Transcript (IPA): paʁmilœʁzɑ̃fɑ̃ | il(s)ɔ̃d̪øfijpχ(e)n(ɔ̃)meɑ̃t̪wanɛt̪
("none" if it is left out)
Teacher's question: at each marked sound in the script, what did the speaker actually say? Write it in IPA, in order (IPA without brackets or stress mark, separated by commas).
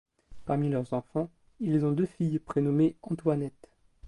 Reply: z, e, ɔ